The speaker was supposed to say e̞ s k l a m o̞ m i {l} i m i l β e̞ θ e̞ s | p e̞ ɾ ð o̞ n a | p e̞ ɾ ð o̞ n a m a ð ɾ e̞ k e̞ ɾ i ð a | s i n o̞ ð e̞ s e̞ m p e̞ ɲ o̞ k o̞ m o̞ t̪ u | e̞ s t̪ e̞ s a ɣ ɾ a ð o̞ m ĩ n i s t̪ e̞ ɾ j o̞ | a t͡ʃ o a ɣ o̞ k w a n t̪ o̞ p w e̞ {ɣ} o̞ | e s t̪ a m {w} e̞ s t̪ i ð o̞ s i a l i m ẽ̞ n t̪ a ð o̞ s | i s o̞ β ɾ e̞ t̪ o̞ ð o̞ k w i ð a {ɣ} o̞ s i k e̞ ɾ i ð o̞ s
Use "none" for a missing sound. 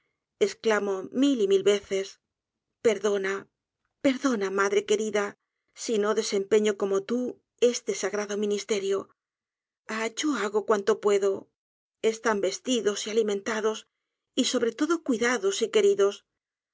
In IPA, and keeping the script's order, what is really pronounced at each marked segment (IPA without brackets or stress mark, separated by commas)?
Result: l, ð, b, ð